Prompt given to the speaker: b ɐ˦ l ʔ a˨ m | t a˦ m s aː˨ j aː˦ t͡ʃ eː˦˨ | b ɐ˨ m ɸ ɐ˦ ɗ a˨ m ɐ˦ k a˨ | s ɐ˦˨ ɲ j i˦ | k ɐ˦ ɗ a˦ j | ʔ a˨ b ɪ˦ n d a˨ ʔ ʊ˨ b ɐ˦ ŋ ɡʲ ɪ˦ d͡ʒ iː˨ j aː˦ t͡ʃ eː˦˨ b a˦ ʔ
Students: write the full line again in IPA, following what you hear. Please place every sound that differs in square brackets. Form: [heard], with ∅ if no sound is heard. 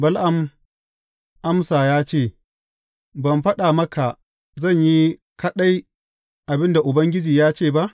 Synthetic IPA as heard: b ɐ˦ l ʔ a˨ m | [ʔ] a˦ m s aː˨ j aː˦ t͡ʃ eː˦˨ | b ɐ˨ m ɸ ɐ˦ ɗ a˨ m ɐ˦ k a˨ | [z] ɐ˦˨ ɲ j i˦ | k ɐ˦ ɗ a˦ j | ʔ a˨ b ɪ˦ n d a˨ ʔ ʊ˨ b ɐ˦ ŋ ɡʲ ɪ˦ d͡ʒ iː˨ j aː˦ t͡ʃ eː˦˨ b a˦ ʔ